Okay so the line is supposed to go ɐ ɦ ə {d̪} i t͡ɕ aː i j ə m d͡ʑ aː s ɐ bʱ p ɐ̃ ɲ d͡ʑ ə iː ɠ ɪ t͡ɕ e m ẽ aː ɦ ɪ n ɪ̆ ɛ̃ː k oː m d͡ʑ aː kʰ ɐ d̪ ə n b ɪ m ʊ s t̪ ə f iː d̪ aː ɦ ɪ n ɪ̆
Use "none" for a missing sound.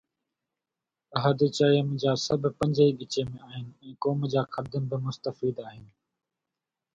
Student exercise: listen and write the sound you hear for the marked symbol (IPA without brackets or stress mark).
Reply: d̪